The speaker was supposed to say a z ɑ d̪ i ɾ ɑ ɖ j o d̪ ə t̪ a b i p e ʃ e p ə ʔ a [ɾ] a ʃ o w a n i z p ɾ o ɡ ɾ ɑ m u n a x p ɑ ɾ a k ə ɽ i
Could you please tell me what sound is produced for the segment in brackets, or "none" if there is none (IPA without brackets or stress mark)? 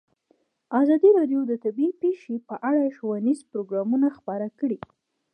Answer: ɽ